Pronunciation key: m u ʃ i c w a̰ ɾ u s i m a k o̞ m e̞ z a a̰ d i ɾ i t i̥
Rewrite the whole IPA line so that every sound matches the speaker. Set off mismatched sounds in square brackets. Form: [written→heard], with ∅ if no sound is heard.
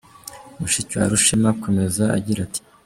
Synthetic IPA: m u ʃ i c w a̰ ɾ u [s→ʃ] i m a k o̞ m e̞ z a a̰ [d→ɟ] i ɾ [i→a] t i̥